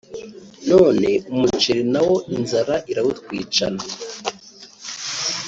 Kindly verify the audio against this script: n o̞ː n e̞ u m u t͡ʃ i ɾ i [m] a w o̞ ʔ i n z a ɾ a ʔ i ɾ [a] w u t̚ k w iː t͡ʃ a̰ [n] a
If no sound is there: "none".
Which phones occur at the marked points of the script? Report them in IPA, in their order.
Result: n, a, n

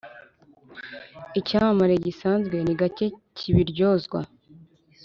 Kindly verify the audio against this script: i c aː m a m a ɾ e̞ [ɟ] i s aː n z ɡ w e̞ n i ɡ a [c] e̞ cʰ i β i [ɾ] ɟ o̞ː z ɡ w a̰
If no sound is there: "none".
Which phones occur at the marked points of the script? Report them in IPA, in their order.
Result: ɟ, c, ɾ

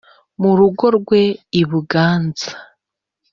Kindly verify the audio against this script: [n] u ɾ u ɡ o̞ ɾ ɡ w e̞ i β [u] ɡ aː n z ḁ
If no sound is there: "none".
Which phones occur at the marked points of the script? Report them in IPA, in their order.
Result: m, u

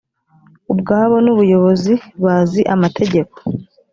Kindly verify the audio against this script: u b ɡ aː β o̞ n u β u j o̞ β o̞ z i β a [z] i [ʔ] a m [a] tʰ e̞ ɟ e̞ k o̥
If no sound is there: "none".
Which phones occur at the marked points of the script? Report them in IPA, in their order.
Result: z, ʔ, a

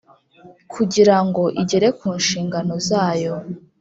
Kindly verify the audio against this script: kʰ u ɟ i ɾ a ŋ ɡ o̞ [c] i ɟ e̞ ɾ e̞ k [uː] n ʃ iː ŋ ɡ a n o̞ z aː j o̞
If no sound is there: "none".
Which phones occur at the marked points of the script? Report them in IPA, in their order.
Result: ʔ, uː

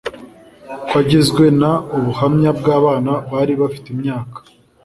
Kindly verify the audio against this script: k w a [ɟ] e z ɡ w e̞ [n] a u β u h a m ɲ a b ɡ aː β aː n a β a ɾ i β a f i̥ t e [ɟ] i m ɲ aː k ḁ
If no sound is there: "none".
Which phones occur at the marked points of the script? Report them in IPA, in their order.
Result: ɟ, n, none

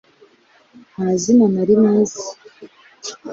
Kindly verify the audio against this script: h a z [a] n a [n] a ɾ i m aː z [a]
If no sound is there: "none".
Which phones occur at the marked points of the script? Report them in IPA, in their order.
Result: i, n, i

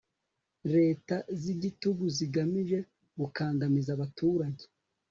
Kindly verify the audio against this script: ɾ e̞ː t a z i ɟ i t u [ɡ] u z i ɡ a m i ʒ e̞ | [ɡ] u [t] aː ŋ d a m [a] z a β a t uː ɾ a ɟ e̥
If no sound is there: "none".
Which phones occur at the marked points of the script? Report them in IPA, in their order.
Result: ɡ, ɡ, k, i

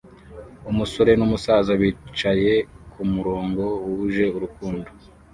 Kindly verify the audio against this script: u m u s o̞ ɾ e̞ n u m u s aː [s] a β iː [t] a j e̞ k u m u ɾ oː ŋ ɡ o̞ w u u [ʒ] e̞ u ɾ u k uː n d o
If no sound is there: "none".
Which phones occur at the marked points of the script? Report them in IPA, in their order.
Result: z, t͡ʃ, ʒ

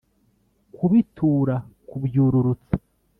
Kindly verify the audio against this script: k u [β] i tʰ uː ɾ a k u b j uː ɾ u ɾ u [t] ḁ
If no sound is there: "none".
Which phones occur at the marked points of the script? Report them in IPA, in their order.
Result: β, t͡s

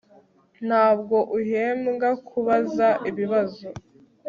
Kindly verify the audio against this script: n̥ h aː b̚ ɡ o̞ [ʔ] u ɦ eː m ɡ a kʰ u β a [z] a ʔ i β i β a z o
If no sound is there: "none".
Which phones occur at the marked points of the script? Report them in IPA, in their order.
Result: ʔ, z

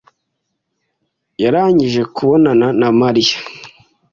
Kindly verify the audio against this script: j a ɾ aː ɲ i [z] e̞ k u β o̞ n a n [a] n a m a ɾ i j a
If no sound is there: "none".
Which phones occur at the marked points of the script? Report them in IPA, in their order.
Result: ʒ, a

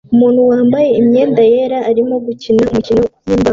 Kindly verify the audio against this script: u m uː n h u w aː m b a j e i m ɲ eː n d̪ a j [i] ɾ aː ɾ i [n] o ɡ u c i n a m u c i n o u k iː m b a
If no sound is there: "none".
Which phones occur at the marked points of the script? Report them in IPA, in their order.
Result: e, m

